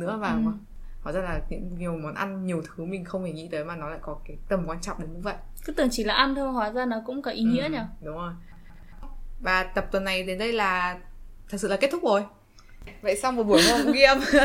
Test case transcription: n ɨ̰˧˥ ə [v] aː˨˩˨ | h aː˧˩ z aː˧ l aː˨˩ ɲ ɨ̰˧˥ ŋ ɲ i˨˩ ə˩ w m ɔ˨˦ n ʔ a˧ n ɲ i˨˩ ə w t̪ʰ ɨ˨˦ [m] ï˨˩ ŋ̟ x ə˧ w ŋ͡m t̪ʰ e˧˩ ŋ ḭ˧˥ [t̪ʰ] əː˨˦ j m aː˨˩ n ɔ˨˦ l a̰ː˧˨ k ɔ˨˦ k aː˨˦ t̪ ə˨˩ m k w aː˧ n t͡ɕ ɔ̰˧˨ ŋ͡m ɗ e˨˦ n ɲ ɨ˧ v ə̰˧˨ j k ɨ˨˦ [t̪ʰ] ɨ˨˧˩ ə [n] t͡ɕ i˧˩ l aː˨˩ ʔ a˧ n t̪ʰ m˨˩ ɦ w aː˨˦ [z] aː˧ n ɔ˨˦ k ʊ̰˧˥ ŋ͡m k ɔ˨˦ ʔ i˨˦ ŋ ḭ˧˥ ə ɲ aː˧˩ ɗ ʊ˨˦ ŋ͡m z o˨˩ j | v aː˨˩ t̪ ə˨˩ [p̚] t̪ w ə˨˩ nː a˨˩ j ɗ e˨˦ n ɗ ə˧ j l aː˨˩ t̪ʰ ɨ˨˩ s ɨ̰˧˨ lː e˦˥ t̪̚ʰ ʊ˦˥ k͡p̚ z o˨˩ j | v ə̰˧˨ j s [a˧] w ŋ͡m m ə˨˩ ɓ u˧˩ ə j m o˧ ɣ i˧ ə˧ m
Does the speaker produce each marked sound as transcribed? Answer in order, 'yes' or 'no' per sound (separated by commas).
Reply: yes, yes, no, no, no, yes, yes, yes